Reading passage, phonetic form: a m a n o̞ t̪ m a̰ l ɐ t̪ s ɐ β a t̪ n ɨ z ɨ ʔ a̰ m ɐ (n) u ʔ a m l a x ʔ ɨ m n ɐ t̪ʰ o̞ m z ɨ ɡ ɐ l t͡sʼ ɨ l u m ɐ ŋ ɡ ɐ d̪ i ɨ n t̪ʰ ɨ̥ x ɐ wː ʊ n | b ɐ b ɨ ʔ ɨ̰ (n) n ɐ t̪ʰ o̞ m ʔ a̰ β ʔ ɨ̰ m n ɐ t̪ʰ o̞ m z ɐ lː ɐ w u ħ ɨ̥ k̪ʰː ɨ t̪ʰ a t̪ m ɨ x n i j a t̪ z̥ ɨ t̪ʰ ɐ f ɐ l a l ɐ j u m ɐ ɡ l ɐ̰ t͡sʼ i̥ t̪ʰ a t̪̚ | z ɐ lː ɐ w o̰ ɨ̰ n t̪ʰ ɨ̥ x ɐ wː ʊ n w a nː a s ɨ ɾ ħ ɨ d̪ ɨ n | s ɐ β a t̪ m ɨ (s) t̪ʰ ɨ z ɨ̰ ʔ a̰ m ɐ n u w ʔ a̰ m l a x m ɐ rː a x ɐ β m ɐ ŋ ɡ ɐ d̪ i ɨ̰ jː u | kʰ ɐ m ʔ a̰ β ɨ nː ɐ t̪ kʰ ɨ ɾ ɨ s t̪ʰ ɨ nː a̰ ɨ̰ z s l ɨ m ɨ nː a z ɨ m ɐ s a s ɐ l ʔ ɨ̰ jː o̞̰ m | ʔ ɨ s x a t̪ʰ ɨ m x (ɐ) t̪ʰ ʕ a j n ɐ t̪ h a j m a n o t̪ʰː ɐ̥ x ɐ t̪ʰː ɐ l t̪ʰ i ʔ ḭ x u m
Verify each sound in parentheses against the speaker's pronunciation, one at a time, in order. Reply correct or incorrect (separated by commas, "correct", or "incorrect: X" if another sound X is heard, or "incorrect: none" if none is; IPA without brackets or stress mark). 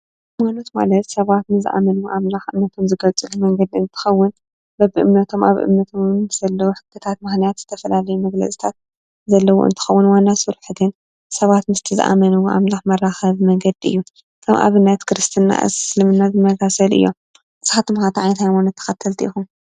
correct, incorrect: m, correct, incorrect: a